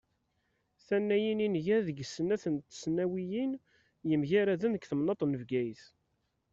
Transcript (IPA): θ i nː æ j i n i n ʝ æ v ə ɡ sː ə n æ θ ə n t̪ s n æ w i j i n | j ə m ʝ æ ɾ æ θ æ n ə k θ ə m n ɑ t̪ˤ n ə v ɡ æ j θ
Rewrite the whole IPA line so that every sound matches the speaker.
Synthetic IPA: θ æ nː æ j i n i n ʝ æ ð ə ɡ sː ə n æ θ ə n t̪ s n æ w i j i n | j ə m ʝ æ ɾ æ ð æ n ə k θ ə m n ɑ t̪ˤ n ə v ɡ æ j θ